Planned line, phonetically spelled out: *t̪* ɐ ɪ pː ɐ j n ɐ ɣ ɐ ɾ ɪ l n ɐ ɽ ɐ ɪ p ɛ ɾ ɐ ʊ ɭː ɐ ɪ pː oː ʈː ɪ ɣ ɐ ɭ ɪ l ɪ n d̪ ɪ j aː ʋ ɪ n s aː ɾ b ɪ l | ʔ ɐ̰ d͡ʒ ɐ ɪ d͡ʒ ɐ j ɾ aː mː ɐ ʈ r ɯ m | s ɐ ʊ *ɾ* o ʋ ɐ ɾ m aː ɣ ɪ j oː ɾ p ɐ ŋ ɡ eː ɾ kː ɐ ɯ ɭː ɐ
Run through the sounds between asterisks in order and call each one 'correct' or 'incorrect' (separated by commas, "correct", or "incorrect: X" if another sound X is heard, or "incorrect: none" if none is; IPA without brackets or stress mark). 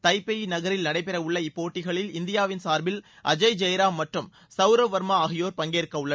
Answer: correct, correct